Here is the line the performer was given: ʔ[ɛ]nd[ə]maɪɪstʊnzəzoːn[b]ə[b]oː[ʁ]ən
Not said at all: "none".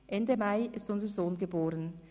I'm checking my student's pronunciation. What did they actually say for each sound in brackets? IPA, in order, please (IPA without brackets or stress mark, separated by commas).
ɛ, ə, ɡ, b, ʁ